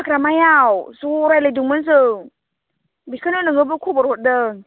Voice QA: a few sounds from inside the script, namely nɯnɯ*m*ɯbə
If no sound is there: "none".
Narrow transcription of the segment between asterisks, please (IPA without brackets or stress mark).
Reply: ŋ